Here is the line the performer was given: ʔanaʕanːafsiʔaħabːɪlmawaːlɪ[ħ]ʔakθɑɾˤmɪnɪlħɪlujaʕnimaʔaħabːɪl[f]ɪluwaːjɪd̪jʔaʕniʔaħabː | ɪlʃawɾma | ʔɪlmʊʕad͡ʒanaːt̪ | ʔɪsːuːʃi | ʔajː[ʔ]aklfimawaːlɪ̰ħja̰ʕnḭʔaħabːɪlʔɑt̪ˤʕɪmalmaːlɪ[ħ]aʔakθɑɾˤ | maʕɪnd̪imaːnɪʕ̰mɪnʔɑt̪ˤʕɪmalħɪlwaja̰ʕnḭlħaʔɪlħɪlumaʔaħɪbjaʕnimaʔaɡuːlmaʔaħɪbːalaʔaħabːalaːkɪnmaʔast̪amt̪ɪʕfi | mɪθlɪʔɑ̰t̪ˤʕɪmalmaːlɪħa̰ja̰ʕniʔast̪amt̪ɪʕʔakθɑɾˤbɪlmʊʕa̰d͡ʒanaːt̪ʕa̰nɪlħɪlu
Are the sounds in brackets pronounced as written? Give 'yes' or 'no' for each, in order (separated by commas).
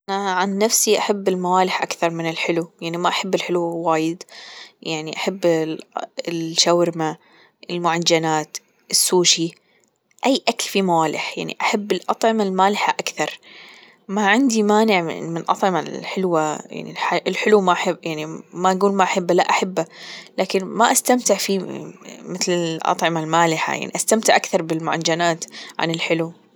yes, no, yes, yes